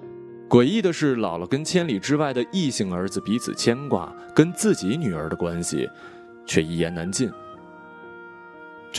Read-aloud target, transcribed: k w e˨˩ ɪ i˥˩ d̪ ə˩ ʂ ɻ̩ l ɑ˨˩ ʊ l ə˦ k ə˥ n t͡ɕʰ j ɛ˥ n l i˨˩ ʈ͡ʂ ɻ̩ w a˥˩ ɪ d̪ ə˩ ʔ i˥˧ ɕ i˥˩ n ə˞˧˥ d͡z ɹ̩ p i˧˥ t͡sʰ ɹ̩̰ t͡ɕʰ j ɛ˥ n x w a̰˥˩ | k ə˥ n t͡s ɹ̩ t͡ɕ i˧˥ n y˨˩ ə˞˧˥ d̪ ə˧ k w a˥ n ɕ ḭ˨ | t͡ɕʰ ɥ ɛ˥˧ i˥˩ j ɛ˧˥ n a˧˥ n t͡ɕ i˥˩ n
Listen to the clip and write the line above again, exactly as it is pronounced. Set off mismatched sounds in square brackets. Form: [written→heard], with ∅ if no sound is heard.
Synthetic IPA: k w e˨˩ ɪ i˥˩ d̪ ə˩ ʂ ɻ̩ l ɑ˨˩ ʊ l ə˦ k ə˥ n t͡ɕʰ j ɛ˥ n l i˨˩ ʈ͡ʂ ɻ̩ w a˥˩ ɪ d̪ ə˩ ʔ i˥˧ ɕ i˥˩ [n→ŋ] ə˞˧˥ d͡z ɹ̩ p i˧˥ t͡sʰ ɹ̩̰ t͡ɕʰ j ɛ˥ n [x→k] w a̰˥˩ | k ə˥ n t͡s ɹ̩ t͡ɕ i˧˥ n y˨˩ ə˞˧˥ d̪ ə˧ k w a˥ n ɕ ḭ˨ | t͡ɕʰ ɥ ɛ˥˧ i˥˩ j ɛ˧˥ n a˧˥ n t͡ɕ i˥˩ n